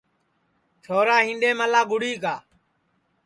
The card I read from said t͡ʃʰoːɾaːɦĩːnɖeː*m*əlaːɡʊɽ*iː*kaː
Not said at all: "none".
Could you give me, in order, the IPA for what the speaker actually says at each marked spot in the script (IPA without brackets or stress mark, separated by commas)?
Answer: m, iː